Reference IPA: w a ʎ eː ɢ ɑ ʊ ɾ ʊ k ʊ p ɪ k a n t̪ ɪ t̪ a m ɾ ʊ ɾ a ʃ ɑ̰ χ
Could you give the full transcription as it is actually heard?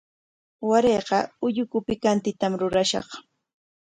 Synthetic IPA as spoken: w a ɾ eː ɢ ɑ ʊ ʎ ʊ k ʊ p ɪ k a n t̪ ɪ t̪ a m ɾ ʊ ɾ a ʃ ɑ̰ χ